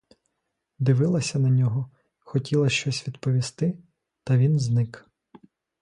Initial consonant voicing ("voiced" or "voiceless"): voiced